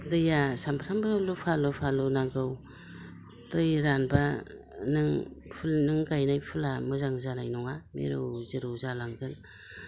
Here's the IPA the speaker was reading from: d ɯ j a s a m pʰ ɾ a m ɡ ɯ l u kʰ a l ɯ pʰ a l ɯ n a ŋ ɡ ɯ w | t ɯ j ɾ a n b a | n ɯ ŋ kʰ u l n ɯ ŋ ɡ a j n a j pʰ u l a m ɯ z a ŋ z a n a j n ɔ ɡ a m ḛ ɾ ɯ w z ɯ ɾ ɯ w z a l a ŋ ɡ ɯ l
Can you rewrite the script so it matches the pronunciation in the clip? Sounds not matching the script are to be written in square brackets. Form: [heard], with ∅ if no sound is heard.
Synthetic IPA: d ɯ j a s a m pʰ ɾ a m [b] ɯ l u [pʰ] a l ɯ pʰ a l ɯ n a ŋ ɡ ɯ w | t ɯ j ɾ a n b a | n ɯ ŋ [pʰ] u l n ɯ ŋ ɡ a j n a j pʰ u l a m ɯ z a ŋ z a n a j n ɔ [ŋ] a m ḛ ɾ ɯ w z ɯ ɾ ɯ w z a l a ŋ ɡ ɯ l

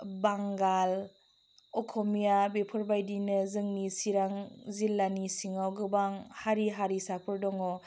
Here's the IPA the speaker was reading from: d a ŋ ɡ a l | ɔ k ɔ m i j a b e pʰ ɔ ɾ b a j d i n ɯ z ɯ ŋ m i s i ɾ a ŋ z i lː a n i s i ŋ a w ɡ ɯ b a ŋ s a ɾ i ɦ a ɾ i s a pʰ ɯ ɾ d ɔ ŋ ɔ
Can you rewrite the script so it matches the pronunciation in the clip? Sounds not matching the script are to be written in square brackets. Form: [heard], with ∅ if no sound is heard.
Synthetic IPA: [b] a ŋ ɡ a l | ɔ [kʰ] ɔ m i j a b e pʰ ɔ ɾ b a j d i n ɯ z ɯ ŋ [n] i s i ɾ a ŋ z i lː a n i s i ŋ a w ɡ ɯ b a ŋ [h] a ɾ i ɦ a ɾ i s a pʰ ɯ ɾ d ɔ ŋ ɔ

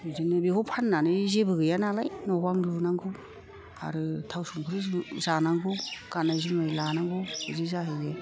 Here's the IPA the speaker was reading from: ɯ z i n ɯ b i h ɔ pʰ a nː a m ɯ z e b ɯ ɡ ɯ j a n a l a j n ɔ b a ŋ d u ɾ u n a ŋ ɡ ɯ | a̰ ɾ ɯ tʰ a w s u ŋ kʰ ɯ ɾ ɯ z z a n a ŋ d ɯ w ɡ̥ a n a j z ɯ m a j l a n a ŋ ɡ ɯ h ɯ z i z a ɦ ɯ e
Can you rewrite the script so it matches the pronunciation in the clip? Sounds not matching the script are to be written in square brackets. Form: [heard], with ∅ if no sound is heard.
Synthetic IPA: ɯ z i n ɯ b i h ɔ pʰ a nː a [n] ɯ z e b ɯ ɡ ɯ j a n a l a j n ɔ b a ŋ d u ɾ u n a ŋ ɡ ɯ | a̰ ɾ ɯ tʰ a w s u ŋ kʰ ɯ ɾ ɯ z z a n a ŋ [ɡ] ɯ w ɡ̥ a n a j z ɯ m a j l a n a ŋ ɡ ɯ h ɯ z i z a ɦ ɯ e

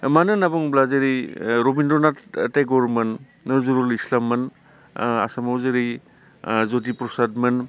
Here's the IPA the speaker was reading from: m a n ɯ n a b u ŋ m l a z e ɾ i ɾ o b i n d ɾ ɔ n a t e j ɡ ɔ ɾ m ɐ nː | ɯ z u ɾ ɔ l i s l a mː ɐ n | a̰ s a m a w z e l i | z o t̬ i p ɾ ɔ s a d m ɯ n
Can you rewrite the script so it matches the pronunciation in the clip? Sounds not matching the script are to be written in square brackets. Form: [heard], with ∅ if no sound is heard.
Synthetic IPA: m a n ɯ n a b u ŋ [b] l a z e ɾ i ɾ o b i n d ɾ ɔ n a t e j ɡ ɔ ɾ m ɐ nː | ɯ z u ɾ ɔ l i s l a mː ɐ n | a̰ s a m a w z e [ɾ] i | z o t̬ i p ɾ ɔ s a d m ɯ n

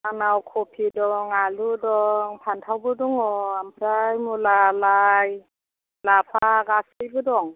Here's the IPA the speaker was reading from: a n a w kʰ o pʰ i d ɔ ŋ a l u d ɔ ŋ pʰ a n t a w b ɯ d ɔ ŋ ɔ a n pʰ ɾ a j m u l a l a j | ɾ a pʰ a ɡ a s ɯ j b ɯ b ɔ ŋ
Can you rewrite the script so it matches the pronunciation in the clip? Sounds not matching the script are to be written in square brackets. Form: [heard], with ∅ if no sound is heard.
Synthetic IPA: a n a w kʰ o pʰ i d ɔ ŋ a l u d ɔ ŋ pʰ a n [tʰ] a w b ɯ d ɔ ŋ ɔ a [m] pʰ ɾ a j m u l a l a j | [l] a pʰ a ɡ a s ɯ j b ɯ [d] ɔ ŋ

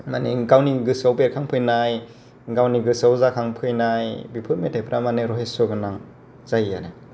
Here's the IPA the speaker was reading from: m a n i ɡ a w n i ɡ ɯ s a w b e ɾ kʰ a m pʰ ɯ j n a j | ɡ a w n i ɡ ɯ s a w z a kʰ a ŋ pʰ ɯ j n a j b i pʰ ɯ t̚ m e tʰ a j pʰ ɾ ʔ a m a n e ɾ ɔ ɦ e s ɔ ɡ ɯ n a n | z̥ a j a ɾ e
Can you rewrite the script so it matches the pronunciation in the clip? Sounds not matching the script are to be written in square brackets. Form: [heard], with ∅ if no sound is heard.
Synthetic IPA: m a n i ɡ a w n i ɡ ɯ s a w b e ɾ kʰ a [ŋ] pʰ ɯ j n a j | ɡ a w n i ɡ ɯ s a w z a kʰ a ŋ pʰ ɯ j n a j b i pʰ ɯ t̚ m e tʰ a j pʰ ɾ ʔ a m a n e ɾ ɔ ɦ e s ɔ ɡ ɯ n a [ŋ] | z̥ a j a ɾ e

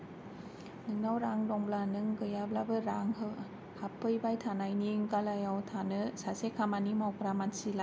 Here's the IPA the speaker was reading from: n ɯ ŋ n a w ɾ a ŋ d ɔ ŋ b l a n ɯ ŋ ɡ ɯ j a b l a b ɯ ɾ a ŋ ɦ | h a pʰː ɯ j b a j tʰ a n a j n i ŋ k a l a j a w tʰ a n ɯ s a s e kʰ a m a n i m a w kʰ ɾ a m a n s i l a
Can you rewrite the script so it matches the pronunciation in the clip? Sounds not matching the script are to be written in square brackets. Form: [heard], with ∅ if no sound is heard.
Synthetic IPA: n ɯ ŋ n a w ɾ a ŋ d ɔ ŋ b l a n ɯ ŋ ɡ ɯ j a b l a b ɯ ɾ a ŋ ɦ | h a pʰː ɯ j b a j tʰ a n a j n i ŋ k a l a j a w tʰ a n ɯ s a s e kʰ a m a n i m a w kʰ ɾ a m a n s i l a

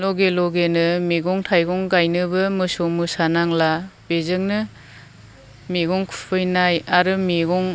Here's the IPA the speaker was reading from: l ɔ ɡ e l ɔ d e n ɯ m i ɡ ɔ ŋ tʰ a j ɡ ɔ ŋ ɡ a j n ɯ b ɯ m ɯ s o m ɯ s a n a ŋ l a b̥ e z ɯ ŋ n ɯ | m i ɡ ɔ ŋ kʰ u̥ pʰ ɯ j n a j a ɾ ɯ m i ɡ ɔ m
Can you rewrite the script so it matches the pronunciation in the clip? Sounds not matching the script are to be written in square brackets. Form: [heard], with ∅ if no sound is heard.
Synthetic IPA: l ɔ ɡ e l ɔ [ɡ] e n ɯ m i ɡ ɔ ŋ tʰ a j ɡ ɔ ŋ ɡ a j n ɯ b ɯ m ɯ s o m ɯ s a n a ŋ l a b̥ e z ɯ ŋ n ɯ | m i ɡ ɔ ŋ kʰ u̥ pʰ ɯ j n a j a ɾ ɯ m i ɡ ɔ [ŋ]

